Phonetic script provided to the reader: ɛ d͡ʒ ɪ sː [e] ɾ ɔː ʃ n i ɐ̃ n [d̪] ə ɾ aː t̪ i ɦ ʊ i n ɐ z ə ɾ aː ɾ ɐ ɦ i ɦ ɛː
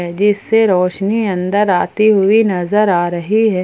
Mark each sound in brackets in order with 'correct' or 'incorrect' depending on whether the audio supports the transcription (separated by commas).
correct, correct